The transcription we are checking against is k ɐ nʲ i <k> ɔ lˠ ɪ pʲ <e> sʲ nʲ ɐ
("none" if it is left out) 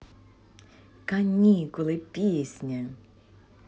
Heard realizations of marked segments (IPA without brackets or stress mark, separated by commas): k, i